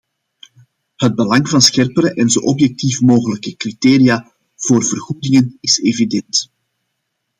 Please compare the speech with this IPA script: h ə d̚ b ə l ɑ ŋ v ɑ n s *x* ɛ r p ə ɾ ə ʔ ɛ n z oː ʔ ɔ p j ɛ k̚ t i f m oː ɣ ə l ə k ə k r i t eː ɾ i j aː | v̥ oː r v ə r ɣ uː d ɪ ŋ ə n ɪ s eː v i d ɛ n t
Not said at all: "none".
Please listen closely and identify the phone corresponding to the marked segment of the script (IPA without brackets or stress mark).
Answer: x